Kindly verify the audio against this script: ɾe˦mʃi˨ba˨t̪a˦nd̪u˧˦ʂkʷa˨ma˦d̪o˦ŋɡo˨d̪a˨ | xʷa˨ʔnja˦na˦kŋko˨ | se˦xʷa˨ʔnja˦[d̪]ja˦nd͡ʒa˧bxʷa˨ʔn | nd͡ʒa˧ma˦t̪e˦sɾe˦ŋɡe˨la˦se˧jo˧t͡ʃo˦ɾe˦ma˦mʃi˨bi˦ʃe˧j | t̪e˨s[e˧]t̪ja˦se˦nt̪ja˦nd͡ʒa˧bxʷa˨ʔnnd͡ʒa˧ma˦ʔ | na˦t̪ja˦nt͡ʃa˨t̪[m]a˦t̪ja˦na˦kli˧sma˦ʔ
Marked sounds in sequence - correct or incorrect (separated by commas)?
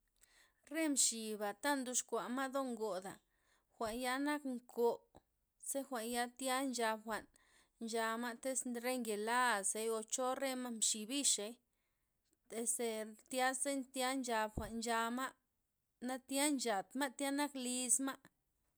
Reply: incorrect, correct, correct